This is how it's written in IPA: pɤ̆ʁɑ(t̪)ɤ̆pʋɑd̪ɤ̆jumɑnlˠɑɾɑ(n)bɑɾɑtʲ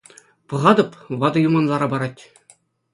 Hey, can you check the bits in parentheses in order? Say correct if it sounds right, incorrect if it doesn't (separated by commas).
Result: incorrect, incorrect